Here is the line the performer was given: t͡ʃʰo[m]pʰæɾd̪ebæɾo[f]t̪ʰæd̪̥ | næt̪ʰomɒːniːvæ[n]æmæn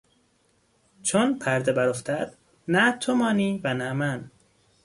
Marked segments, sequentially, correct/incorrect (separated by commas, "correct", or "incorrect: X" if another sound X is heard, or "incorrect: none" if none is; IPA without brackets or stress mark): incorrect: n, correct, correct